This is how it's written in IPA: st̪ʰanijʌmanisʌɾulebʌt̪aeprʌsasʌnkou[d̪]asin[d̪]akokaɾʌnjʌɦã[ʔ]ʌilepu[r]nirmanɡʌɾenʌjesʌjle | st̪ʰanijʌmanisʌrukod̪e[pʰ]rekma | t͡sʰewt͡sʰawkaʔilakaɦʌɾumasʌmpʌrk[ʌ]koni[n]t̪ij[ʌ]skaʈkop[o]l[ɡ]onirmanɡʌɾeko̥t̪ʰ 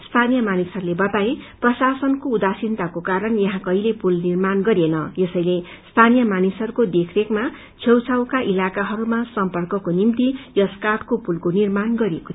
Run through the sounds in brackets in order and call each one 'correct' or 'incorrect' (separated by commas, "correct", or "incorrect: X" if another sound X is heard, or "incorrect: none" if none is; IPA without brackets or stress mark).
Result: correct, incorrect: t̪, incorrect: k, incorrect: l, incorrect: kʰ, correct, incorrect: m, correct, incorrect: u, incorrect: k